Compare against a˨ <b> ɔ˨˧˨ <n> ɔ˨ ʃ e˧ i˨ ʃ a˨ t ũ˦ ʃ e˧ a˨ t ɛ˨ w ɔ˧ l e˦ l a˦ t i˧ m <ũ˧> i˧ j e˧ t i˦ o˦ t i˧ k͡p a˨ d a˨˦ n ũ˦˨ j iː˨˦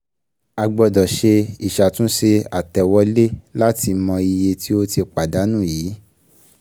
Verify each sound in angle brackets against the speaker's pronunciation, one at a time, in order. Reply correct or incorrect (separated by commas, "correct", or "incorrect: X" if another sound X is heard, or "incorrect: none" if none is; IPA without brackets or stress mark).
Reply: incorrect: ɡ͡b, incorrect: d, incorrect: ɔ̃˧